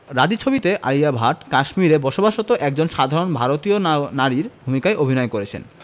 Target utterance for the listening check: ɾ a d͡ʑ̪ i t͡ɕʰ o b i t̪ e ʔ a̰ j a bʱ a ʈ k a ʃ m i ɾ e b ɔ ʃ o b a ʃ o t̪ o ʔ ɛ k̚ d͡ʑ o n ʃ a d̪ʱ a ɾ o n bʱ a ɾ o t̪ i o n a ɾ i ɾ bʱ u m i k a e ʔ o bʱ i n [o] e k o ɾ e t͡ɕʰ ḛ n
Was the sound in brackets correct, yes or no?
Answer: no